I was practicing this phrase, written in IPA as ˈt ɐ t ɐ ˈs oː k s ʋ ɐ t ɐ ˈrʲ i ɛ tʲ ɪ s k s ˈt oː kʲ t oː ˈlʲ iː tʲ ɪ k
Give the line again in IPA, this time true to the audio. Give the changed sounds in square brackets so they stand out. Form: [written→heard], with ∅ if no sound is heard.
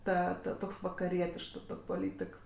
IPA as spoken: ˈt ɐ t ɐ [ˈs→ˈt] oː k s ʋ ɐ [t→k] ɐ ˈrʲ i ɛ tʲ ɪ [s→ʃ] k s ˈt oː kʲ [t→p] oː ˈlʲ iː tʲ ɪ k